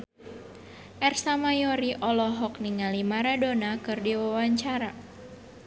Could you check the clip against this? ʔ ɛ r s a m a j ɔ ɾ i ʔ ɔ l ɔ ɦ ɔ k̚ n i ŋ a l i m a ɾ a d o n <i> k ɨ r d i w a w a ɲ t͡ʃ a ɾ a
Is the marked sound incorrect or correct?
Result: incorrect